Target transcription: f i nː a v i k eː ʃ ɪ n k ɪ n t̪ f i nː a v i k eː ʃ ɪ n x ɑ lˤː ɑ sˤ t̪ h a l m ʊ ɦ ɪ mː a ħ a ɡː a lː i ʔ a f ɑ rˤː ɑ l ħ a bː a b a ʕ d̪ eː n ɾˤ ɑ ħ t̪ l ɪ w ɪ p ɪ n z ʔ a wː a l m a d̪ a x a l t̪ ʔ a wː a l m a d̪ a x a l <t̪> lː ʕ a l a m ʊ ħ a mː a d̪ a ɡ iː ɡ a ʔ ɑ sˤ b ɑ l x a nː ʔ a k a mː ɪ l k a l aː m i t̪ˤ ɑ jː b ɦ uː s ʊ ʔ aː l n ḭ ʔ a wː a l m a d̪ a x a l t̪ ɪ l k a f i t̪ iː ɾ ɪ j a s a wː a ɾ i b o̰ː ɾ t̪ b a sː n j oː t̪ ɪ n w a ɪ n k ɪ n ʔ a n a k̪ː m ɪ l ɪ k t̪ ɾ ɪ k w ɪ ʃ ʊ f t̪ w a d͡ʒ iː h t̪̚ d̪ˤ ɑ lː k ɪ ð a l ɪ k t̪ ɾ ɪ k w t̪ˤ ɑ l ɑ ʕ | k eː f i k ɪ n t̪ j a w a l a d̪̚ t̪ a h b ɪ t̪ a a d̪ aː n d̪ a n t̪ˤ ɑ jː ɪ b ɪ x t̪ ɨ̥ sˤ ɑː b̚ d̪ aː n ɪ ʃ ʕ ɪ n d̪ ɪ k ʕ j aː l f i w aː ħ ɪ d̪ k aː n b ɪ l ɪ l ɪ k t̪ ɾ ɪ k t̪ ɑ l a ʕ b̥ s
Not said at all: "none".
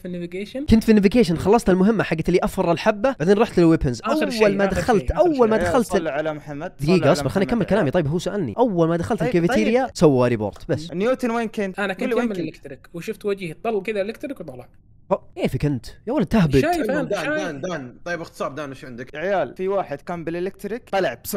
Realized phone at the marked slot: t̪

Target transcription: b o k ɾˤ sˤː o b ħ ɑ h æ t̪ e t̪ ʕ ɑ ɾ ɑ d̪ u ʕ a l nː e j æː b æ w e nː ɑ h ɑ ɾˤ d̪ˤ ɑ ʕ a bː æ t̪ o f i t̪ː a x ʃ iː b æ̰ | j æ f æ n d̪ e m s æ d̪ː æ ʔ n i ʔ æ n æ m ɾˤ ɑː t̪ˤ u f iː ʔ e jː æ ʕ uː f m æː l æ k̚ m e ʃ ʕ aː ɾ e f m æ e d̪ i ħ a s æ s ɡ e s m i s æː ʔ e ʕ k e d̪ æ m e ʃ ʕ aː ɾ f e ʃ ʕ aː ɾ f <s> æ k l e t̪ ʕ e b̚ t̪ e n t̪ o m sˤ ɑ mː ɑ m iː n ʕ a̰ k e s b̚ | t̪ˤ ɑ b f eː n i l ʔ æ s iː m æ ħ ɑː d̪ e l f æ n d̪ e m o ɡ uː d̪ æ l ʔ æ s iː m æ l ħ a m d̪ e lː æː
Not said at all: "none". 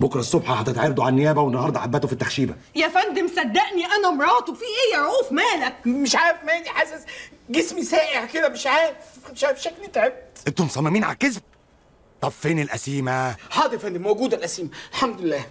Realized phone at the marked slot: ʃ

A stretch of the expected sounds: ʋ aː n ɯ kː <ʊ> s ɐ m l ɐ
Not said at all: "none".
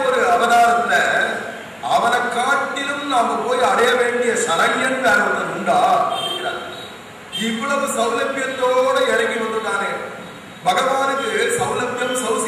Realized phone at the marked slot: ɯ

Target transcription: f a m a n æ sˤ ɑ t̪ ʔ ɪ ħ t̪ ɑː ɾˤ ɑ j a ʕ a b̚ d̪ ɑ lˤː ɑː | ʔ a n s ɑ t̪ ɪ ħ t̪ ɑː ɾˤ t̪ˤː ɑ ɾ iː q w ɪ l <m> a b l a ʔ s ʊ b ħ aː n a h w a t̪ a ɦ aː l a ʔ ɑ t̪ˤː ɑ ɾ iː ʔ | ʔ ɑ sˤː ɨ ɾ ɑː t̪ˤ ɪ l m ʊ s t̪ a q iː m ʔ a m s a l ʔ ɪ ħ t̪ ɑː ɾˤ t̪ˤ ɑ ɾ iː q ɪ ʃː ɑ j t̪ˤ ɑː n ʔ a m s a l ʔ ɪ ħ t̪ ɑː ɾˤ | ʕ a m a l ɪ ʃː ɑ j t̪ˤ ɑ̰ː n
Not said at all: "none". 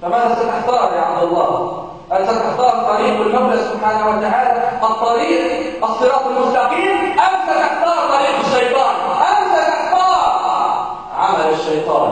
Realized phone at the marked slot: m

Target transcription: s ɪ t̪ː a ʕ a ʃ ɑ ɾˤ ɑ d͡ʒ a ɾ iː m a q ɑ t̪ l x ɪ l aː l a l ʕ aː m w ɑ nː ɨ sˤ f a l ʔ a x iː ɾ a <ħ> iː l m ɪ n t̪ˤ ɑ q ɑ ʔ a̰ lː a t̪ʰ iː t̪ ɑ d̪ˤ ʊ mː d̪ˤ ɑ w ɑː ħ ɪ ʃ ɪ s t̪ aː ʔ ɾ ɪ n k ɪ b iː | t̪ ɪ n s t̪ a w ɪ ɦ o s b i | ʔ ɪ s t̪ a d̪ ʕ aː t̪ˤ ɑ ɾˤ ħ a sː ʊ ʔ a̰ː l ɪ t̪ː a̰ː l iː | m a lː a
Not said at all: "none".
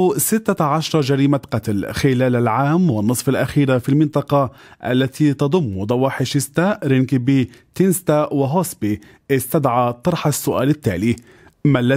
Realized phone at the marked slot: f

